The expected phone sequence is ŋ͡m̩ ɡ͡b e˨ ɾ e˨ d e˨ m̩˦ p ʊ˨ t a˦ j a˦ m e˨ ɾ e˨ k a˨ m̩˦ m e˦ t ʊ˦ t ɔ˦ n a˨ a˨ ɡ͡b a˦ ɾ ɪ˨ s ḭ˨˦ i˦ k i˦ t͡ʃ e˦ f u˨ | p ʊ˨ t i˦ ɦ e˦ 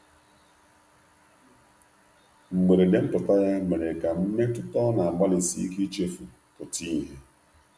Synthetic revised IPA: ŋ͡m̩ ɡ͡b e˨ ɾ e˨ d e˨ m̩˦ p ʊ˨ t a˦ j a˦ m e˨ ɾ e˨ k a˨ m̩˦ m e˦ t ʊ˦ t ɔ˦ n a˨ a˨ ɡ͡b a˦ l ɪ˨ s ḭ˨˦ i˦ k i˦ t͡ʃ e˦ f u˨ | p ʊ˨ t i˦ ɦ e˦